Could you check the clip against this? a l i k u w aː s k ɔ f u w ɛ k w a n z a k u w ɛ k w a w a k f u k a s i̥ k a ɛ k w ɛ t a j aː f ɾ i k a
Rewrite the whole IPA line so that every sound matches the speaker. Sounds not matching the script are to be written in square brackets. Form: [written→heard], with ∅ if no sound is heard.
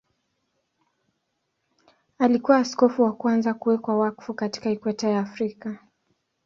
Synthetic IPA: a l i k u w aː s k ɔ f u w [ɛ→a] k w a n z a k u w ɛ k w a w a k f u k a [s→t] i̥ k a [ɛ→i] k w ɛ t a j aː f ɾ i k a